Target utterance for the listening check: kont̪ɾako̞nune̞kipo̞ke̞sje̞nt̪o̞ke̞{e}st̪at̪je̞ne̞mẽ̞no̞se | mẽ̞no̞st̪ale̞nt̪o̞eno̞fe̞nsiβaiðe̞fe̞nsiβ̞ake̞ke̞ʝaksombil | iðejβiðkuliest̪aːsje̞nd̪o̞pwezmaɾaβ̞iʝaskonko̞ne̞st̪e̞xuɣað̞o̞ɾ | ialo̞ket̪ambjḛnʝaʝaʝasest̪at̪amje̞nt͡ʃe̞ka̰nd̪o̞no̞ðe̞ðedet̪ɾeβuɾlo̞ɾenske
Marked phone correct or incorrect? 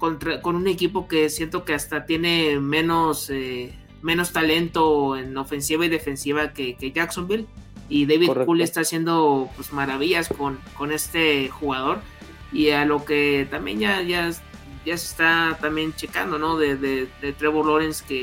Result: incorrect